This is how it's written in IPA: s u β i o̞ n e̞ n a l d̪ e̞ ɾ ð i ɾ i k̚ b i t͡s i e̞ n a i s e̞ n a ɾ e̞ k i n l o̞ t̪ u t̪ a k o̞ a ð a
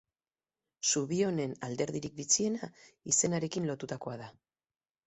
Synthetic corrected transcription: s u β i o̞ n e̞ n a l d̪ e̞ ɾ ð i ɾ i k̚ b i t͡s i e̞ n a i s e̞ n a ɾ e̞ k i n l o̞ t̪ u t̪ a k o̞ a ð a